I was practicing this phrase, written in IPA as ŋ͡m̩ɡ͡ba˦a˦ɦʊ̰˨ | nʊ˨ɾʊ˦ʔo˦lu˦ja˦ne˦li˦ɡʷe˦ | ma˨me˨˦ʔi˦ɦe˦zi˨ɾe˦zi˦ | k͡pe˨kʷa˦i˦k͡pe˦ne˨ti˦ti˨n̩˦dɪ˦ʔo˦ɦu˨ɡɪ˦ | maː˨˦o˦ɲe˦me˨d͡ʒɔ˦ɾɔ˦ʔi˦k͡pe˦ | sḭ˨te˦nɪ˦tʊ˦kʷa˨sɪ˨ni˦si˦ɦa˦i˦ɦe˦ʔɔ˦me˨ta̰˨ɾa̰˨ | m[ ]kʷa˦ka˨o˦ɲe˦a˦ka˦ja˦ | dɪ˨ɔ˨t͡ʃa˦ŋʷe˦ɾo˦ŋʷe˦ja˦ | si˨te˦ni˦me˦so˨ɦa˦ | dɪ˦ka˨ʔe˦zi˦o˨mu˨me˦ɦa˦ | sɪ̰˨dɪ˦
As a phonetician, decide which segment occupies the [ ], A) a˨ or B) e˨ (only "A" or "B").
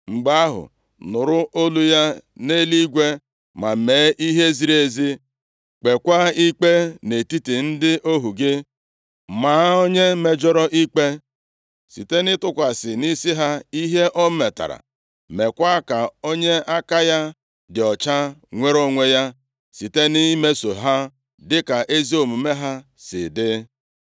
B